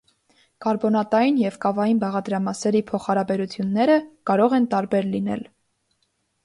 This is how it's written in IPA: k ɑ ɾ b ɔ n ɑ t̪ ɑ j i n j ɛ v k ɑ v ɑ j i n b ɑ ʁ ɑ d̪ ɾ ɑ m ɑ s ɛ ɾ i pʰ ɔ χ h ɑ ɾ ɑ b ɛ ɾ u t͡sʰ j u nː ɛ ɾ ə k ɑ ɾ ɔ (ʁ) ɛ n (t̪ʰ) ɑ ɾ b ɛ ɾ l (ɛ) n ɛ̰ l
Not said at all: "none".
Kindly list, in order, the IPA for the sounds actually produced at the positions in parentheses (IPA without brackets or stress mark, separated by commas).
ʁ, t̪, i